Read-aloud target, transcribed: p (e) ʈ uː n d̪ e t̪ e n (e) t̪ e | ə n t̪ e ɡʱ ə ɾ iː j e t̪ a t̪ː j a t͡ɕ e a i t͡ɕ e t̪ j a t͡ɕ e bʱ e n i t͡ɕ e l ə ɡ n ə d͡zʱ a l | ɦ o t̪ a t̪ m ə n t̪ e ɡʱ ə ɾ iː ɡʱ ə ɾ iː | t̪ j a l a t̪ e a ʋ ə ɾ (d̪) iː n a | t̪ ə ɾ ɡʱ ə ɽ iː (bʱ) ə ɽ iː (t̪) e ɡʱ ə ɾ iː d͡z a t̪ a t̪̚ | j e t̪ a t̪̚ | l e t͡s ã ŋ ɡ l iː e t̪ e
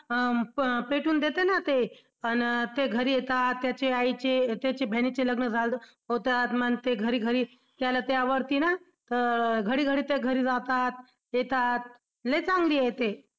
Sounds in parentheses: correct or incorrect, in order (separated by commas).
correct, incorrect, incorrect, incorrect, correct